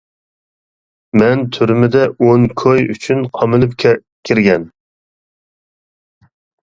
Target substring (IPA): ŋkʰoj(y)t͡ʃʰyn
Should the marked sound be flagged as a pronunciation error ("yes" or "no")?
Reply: no